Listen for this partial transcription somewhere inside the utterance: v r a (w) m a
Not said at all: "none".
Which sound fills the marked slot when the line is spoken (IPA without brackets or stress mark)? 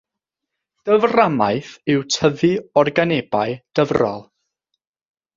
none